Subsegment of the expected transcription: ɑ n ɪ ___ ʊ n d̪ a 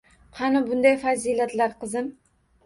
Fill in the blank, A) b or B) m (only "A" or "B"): A